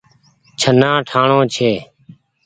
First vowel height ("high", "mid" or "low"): mid